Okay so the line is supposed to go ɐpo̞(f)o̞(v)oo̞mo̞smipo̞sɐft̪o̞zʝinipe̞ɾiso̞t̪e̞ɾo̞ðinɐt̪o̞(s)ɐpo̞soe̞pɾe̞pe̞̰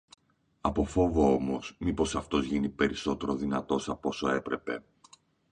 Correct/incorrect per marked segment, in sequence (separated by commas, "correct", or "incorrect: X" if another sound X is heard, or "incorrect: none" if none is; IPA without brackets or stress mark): correct, correct, correct